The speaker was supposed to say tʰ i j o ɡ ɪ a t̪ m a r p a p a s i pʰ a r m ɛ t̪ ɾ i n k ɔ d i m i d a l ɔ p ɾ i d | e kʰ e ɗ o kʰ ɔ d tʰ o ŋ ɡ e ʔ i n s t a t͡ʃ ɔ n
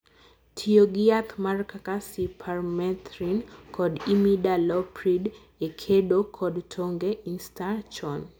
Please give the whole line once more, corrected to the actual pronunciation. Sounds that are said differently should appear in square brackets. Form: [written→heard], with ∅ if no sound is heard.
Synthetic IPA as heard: tʰ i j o ɡ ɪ a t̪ m a r [p→k] a [p→k] a s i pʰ a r m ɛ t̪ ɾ i n k ɔ d i m i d a l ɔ p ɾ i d | e kʰ e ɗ o kʰ ɔ d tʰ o ŋ ɡ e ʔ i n s t a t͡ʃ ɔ n